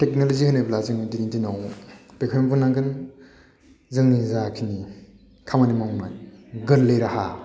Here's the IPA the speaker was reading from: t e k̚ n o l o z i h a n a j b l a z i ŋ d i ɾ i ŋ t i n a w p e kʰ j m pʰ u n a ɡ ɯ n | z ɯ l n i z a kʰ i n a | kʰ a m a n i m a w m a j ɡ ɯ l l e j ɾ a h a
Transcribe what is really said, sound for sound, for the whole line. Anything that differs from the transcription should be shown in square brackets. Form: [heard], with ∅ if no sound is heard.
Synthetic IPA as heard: t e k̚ n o l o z i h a n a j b l a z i ŋ d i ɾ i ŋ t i n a w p e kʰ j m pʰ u n a ɡ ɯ n | z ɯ l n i z a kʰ i n [i] | kʰ a m a n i m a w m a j ɡ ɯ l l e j ɾ a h a